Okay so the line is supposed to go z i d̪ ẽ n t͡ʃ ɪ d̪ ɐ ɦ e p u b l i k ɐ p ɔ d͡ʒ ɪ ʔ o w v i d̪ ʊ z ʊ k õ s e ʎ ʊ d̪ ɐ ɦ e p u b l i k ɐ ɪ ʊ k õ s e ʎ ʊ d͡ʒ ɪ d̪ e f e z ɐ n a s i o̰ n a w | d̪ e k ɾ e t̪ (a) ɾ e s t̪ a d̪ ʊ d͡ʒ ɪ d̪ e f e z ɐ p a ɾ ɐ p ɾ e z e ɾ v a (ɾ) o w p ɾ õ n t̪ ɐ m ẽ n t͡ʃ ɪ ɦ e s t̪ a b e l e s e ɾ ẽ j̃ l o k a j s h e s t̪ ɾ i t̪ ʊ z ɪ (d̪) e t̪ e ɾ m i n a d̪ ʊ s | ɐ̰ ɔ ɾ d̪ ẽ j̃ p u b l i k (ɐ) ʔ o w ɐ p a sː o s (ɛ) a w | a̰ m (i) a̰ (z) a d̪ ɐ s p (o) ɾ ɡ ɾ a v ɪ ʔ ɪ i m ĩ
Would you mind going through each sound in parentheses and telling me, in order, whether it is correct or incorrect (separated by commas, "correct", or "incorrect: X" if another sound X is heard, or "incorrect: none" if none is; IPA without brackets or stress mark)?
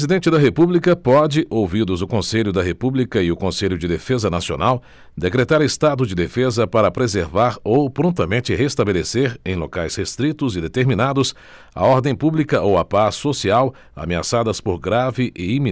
correct, correct, correct, correct, incorrect: i, incorrect: e, incorrect: s, correct